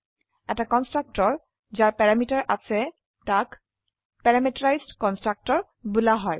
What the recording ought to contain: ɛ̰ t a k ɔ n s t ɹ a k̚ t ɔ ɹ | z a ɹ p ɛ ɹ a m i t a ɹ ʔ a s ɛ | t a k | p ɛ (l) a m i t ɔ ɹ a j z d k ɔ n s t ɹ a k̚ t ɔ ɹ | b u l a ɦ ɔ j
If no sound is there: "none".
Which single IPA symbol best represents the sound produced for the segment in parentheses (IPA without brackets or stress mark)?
ɹ